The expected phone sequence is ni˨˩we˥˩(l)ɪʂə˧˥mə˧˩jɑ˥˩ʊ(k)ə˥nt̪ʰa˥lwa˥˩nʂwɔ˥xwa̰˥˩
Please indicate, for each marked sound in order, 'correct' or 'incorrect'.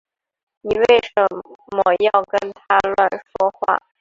incorrect, correct

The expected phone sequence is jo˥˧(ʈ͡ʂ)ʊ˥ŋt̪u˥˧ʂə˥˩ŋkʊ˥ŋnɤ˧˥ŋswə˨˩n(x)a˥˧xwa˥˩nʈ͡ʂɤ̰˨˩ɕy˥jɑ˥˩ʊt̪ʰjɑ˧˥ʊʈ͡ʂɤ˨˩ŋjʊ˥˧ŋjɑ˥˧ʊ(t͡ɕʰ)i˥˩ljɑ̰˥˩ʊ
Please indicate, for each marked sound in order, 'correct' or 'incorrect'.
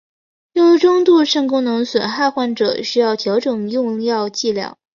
correct, correct, incorrect

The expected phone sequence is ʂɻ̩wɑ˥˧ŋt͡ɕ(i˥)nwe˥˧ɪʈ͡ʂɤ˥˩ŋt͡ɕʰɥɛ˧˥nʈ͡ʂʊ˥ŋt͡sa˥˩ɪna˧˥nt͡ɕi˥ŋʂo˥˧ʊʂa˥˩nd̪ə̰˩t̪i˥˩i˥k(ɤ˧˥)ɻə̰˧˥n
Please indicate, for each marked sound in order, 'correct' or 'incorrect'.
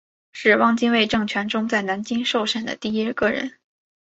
correct, incorrect

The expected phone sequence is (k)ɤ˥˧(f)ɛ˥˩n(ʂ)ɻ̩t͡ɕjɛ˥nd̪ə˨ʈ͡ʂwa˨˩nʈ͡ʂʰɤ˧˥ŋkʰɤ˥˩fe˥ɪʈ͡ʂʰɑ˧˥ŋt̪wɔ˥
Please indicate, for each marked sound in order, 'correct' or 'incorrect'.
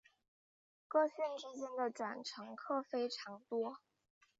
correct, incorrect, incorrect

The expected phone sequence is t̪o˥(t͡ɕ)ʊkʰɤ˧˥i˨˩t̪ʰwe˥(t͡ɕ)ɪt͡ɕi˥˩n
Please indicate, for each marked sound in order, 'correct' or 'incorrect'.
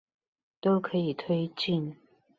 incorrect, incorrect

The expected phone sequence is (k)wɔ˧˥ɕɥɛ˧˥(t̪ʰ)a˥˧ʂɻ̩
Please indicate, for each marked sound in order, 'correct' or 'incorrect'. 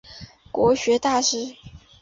correct, incorrect

